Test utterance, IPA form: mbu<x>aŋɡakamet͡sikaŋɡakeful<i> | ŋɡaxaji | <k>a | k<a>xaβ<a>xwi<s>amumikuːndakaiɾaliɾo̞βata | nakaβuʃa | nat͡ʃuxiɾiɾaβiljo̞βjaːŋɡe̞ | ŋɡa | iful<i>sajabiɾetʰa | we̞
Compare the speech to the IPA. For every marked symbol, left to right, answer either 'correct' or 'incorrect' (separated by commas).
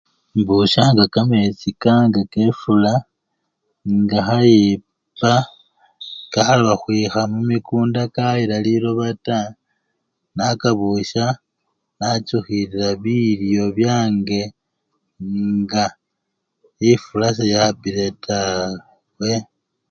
incorrect, incorrect, incorrect, correct, correct, incorrect, incorrect